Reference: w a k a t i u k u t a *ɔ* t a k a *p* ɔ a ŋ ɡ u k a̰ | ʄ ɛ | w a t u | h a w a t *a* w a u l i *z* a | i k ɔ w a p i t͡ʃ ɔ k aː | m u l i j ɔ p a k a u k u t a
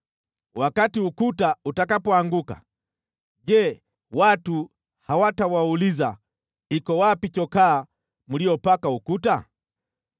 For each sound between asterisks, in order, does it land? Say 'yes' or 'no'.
no, yes, yes, yes

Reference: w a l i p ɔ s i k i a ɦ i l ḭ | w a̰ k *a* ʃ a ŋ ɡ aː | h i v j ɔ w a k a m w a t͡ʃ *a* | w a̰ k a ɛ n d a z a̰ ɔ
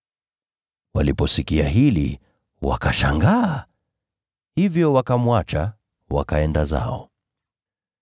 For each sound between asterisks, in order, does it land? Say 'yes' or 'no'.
yes, yes

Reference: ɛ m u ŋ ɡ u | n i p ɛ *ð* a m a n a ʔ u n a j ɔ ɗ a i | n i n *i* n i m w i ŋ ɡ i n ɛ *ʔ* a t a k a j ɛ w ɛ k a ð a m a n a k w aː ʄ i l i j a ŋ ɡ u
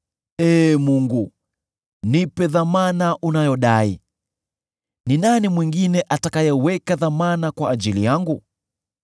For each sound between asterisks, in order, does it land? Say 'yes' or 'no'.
yes, no, yes

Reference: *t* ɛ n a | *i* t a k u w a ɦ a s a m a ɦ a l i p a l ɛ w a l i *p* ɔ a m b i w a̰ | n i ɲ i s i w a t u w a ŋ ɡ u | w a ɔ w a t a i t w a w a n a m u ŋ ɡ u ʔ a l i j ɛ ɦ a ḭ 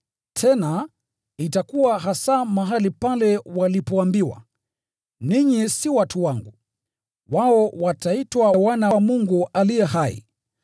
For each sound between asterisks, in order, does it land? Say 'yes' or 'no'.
no, yes, yes

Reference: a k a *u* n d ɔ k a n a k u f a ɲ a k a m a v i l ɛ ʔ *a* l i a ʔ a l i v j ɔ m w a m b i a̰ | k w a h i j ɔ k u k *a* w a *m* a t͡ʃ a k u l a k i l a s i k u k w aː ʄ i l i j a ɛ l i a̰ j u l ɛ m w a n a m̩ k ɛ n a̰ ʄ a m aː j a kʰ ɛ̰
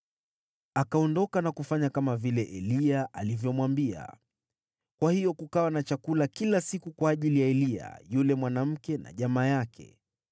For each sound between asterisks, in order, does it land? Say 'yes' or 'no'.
no, no, yes, no

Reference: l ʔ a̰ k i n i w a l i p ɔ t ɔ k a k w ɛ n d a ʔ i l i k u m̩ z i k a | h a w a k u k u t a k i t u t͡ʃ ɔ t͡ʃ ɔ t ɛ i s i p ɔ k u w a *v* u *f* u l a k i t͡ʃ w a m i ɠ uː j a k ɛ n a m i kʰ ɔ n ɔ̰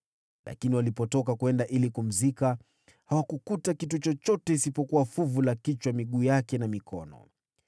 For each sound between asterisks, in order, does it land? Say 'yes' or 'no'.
no, no

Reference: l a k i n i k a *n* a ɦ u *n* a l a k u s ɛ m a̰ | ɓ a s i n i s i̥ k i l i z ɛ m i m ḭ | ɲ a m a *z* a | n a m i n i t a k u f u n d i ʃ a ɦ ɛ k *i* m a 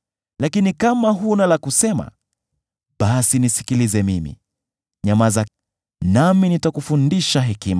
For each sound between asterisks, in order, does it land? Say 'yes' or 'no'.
no, yes, yes, yes

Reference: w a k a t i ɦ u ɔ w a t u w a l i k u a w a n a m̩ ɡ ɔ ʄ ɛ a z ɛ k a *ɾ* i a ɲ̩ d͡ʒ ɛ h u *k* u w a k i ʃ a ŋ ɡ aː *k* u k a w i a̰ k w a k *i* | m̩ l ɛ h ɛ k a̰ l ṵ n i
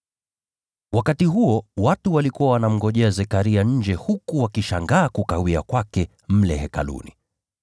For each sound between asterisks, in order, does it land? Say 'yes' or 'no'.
yes, yes, yes, no

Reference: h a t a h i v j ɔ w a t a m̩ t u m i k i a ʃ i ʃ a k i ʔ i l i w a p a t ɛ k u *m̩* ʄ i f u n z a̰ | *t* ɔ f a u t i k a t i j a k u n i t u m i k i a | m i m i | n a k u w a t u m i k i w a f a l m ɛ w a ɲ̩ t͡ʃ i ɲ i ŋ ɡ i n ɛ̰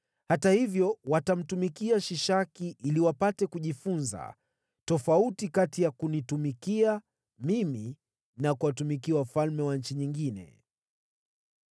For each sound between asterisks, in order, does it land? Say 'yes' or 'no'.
no, yes

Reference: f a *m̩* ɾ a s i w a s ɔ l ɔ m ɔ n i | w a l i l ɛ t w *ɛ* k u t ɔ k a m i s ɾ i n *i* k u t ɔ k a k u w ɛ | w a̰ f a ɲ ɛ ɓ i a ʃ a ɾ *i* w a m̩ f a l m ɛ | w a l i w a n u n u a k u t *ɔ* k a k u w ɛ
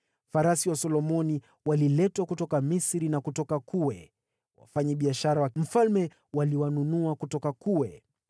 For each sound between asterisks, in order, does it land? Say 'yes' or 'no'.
no, no, no, no, yes

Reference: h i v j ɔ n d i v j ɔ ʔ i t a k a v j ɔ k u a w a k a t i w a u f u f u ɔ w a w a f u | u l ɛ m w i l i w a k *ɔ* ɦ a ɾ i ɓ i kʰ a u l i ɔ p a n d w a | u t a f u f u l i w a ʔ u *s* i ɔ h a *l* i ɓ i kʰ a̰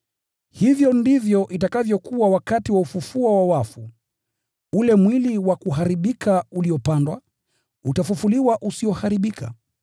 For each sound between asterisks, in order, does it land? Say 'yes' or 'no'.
no, yes, no

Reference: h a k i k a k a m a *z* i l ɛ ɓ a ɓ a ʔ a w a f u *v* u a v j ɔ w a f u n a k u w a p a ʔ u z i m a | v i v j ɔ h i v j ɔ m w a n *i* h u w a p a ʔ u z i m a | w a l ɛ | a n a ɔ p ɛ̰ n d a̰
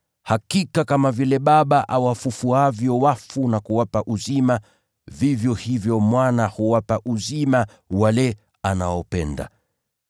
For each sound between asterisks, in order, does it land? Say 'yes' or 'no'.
no, no, no

